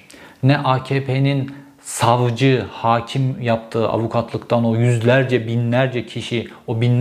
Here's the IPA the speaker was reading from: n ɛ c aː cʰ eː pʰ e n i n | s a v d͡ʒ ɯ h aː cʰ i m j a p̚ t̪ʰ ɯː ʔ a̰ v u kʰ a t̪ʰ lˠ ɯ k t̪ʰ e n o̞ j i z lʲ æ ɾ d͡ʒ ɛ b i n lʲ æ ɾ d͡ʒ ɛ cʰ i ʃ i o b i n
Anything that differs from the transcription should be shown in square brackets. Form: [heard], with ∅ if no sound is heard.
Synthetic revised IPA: n ɛ [ʔ] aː cʰ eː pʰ e n i n | s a v d͡ʒ ɯ h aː cʰ i m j a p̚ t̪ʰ ɯː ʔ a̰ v u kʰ a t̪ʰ lˠ ɯ k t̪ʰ [a] n o̞ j [y] z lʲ æ ɾ d͡ʒ ɛ b i n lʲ æ ɾ d͡ʒ ɛ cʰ i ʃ i o b i n